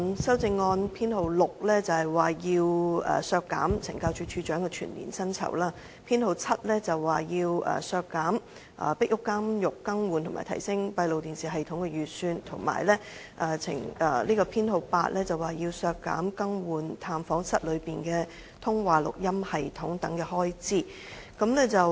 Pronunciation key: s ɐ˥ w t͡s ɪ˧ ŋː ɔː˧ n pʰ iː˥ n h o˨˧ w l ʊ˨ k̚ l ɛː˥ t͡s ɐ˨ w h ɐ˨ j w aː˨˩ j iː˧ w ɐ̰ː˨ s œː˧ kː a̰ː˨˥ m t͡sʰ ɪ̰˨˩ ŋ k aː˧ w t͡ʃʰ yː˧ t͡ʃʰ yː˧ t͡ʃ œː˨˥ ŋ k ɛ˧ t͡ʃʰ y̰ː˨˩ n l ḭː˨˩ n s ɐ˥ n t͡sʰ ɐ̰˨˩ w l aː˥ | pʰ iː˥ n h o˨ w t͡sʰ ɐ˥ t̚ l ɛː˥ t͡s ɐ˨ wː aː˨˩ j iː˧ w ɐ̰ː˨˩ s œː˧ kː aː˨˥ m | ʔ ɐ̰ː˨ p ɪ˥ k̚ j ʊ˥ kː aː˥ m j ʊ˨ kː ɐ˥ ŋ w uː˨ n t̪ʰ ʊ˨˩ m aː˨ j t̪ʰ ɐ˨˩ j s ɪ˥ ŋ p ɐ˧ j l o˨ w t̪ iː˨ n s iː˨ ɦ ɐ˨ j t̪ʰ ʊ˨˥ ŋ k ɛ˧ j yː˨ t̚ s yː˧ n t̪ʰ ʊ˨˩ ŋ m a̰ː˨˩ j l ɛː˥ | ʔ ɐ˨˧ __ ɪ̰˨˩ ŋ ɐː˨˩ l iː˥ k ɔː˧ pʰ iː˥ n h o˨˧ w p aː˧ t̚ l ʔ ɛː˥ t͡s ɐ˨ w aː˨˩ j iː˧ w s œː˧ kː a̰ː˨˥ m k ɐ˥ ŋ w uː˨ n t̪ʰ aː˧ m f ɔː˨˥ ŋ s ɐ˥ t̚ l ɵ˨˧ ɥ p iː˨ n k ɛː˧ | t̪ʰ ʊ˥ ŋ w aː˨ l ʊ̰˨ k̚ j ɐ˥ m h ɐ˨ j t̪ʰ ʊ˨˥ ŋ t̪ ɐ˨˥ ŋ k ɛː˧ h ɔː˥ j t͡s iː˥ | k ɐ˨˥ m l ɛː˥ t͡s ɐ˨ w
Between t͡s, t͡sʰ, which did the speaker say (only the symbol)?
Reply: t͡sʰ